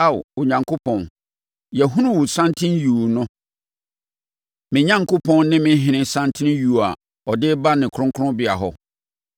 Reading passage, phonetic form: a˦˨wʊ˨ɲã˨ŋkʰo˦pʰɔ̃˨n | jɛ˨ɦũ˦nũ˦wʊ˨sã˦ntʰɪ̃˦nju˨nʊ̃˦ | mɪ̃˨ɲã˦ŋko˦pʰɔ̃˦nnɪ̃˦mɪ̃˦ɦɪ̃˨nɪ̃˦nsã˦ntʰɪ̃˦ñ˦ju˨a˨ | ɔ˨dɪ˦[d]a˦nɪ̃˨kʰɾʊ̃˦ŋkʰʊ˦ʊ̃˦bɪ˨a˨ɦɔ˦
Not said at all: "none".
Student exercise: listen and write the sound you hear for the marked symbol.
b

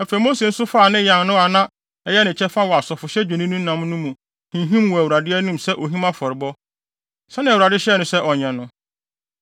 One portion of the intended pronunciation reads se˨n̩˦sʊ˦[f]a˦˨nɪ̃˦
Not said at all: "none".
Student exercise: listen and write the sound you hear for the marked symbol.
f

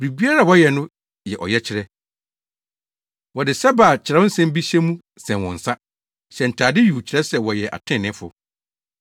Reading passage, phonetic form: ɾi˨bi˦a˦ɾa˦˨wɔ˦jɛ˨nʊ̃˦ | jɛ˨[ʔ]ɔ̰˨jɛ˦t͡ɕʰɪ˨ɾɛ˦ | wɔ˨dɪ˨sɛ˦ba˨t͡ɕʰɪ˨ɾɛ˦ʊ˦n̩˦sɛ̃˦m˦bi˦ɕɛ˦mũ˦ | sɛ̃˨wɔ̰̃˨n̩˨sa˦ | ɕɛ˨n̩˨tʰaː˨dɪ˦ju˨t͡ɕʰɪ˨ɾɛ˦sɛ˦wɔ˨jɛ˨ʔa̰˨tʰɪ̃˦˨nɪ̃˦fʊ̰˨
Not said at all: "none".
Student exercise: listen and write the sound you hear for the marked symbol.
ʔ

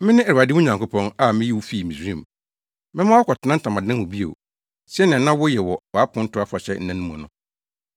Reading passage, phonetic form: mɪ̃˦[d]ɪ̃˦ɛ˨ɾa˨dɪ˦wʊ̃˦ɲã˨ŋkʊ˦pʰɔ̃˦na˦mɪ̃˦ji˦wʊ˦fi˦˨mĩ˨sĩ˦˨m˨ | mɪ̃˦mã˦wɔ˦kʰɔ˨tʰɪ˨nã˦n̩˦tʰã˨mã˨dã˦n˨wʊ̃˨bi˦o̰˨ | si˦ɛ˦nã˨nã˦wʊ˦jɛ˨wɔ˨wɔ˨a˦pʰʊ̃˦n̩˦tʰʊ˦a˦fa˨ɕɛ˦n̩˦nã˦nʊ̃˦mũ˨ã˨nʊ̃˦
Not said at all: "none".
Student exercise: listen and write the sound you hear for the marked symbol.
n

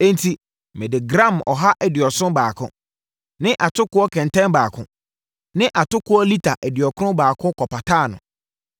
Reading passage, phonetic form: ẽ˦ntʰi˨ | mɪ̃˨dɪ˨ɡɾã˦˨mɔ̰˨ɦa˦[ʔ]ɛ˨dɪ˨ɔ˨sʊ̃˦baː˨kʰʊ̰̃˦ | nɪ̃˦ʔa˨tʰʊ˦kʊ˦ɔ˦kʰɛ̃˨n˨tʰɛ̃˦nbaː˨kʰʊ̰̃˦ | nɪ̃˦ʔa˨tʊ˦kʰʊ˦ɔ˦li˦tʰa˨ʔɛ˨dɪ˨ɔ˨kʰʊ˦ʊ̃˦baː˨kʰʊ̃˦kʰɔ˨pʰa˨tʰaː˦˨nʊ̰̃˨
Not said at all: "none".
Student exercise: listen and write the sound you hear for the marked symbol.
ʔ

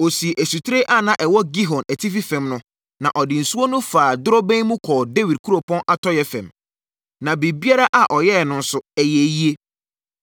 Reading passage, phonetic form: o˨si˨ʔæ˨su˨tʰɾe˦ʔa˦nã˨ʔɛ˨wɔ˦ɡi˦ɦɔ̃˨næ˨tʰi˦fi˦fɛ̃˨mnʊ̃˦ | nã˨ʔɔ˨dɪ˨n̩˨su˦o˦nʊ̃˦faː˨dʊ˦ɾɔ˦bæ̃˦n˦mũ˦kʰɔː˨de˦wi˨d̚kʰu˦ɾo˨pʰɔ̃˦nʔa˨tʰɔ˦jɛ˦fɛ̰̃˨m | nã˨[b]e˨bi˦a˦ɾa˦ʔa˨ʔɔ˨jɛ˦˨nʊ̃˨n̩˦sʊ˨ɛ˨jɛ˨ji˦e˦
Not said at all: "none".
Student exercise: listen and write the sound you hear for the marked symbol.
b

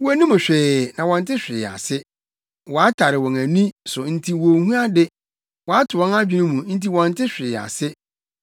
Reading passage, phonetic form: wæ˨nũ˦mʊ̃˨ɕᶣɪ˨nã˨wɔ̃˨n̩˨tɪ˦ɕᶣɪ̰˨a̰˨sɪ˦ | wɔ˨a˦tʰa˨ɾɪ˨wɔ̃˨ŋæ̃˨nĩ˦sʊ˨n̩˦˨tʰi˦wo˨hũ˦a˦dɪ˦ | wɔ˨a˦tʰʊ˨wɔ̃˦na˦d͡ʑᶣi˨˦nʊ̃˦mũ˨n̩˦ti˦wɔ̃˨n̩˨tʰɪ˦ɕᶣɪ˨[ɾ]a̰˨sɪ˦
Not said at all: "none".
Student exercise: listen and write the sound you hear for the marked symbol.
none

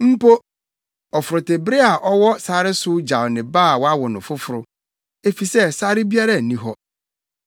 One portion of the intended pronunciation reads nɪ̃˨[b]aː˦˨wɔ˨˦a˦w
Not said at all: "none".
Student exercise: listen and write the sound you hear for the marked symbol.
b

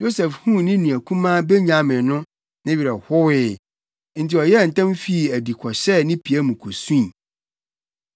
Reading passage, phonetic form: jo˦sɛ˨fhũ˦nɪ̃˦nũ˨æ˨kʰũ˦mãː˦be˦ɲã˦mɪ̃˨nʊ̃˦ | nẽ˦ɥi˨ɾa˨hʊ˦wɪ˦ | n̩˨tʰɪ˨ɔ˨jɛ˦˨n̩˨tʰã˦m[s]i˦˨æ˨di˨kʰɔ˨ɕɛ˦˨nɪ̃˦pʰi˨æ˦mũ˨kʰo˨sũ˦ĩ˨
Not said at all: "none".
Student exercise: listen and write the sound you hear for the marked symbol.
f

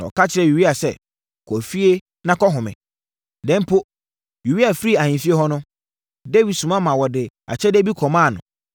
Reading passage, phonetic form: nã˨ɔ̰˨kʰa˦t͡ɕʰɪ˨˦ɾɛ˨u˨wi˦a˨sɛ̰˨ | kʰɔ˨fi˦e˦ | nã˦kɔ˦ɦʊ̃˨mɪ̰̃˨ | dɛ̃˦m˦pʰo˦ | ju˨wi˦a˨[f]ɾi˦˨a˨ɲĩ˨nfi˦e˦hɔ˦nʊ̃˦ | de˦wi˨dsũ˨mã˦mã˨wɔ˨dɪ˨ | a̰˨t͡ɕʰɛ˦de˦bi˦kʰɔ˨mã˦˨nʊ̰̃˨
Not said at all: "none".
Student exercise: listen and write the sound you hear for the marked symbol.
f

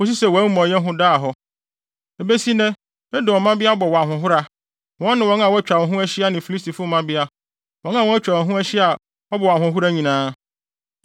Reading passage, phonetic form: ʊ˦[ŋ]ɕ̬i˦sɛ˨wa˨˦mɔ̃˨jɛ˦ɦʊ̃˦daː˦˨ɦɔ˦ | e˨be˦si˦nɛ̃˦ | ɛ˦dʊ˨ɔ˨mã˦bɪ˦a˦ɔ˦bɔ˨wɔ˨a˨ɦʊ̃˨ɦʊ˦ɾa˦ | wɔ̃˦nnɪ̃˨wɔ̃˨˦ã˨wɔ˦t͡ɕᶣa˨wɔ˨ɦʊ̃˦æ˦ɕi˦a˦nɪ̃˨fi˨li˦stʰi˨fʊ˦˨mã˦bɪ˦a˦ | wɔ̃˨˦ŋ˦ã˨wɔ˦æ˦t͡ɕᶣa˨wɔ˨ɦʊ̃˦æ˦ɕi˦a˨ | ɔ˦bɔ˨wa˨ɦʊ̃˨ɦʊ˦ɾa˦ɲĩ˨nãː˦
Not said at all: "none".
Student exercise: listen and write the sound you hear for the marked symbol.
none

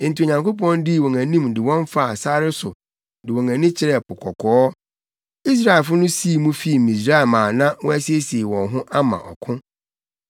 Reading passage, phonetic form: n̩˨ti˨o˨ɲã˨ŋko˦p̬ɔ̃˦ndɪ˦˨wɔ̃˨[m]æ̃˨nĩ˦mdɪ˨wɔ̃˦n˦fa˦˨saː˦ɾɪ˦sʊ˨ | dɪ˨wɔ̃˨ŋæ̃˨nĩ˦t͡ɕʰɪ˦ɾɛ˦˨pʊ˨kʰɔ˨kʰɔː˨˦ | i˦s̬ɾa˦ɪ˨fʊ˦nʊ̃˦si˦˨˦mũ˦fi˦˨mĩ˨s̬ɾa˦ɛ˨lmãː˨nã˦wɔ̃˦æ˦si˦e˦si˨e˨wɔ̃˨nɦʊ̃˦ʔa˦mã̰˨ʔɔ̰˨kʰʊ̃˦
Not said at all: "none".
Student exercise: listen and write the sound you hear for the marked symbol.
ŋ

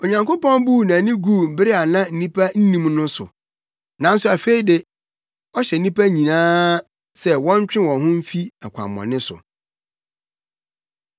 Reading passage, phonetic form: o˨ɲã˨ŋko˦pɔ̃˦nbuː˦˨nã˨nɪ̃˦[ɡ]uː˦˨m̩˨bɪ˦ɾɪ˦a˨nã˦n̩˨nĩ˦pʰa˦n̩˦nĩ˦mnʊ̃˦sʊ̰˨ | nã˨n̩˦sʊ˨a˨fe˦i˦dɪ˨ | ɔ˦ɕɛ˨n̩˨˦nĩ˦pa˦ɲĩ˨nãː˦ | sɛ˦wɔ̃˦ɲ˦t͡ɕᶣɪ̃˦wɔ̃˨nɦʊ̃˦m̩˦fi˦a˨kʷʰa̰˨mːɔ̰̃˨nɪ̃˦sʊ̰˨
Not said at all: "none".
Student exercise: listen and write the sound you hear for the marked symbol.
ɡ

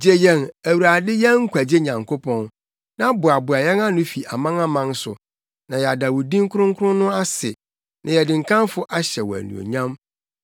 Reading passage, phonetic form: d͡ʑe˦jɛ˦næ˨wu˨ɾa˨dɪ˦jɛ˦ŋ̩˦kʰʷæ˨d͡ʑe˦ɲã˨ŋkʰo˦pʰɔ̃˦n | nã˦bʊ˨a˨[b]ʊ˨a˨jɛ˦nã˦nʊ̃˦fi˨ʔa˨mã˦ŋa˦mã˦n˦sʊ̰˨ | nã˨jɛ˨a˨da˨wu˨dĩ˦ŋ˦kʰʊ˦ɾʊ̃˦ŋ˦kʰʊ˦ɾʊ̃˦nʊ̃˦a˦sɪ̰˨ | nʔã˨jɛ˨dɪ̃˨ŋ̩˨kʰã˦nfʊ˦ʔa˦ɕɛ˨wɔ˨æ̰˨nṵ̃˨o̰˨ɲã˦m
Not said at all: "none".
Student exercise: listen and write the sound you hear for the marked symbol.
b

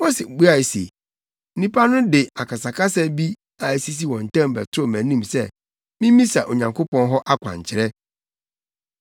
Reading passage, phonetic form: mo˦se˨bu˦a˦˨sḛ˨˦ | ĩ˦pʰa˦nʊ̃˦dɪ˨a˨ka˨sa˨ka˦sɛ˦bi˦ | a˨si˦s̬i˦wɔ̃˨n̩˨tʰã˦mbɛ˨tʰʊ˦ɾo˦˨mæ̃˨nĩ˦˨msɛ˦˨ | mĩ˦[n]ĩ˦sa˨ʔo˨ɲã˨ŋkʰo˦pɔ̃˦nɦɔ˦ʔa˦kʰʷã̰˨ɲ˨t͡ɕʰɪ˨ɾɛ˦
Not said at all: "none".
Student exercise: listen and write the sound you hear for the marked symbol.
m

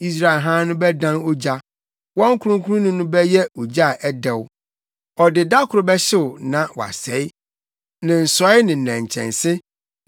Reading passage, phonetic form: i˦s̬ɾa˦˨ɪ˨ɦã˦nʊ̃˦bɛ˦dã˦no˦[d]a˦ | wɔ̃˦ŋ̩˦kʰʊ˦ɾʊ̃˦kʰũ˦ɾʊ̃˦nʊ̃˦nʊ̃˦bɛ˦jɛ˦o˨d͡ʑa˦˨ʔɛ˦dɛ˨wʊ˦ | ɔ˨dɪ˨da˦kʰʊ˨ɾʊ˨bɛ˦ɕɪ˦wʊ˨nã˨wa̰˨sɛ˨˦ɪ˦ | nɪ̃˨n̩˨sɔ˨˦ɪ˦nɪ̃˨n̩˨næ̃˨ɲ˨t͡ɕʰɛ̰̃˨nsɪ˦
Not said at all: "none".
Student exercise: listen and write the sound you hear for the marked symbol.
d͡ʑ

